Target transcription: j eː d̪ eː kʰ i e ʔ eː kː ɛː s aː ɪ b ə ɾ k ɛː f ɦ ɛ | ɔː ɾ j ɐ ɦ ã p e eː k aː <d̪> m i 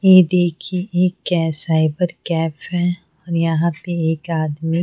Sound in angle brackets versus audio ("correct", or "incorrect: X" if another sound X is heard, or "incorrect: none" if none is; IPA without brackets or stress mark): correct